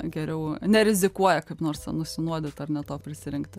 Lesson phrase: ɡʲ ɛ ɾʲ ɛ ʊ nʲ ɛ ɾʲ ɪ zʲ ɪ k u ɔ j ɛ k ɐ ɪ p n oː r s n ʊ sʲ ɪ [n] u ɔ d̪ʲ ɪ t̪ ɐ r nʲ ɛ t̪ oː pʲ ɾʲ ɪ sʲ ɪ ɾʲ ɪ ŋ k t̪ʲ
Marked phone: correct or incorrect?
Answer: correct